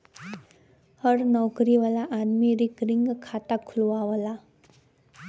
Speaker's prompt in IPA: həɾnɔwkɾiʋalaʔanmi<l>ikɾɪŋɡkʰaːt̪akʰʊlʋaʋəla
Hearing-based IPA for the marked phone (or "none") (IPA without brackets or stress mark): ɾ